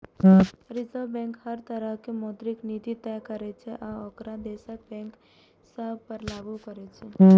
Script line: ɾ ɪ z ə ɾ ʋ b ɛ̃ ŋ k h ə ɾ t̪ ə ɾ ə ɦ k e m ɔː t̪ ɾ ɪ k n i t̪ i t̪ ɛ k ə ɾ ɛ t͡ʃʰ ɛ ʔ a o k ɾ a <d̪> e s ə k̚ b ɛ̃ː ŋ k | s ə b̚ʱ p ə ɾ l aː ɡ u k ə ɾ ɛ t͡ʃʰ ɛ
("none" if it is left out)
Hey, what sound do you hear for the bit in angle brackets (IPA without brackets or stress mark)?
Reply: d̪